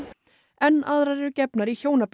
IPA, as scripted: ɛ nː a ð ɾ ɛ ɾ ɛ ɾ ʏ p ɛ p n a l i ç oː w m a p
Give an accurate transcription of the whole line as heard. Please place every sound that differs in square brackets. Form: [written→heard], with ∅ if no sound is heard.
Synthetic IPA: ɛ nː a ð ɾ [ɛ→a] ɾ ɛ ɾ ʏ [p→c] ɛ p n a [l→ɾ] i ç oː w [m→n] a p